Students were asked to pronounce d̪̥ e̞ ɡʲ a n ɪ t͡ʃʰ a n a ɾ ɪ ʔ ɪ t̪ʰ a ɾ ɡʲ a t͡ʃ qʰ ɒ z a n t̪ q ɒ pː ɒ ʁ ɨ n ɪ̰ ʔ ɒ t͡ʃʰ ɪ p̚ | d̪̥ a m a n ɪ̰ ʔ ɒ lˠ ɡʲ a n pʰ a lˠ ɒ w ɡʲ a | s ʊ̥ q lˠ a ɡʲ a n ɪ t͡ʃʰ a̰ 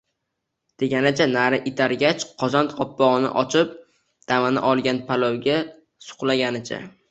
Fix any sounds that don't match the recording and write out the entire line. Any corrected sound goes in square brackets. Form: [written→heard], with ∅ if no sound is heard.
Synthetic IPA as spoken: d̪̥ e̞ ɡʲ a n ɪ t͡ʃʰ a n a ɾ ɪ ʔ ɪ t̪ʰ a ɾ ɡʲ a t͡ʃ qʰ ɒ z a n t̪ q ɒ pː ɒ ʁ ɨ n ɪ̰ ʔ ɒ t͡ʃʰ ɪ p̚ | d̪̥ a m a n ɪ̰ ʔ ɒ lˠ ɡʲ a n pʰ a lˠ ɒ w ɡʲ a | s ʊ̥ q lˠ a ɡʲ a n ɪ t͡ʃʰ a̰